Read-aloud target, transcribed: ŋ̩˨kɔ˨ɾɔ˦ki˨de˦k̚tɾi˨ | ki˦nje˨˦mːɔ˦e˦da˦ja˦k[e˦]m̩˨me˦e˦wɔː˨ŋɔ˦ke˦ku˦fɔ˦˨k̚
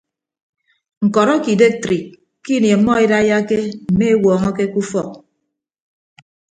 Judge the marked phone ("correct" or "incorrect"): correct